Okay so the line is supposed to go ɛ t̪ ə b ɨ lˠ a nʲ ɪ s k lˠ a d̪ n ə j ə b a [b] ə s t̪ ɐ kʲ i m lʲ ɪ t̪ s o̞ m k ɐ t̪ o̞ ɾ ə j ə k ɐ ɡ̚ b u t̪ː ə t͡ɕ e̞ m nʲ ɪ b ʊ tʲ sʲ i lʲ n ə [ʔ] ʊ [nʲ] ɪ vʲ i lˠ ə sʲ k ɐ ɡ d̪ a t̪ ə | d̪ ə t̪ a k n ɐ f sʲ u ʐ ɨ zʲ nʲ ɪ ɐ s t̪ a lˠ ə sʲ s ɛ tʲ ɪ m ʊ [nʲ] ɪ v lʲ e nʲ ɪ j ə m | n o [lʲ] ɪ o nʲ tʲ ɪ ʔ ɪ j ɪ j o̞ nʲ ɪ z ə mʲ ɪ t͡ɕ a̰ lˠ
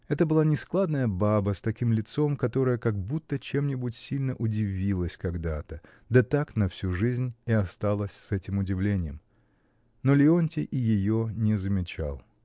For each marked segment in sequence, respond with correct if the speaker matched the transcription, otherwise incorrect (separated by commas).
correct, correct, incorrect, incorrect, correct